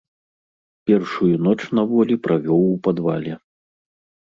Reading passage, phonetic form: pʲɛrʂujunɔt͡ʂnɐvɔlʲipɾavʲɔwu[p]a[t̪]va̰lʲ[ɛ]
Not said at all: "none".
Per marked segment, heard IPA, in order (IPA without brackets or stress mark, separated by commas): p, d̪, ɛ